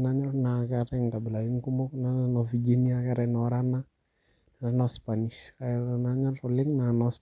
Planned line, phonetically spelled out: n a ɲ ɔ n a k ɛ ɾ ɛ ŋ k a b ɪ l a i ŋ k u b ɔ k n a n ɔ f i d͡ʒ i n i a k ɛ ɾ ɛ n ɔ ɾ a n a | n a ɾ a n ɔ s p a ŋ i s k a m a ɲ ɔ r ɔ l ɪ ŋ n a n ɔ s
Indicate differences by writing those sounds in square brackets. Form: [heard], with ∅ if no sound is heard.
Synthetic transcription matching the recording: n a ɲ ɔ n a k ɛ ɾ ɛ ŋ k a b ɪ l a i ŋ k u [m] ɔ k n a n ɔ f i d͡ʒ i n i a k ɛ ɾ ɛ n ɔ ɾ a n a | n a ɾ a n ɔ s p a [n] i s k a [n] a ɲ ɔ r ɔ l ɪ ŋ n a n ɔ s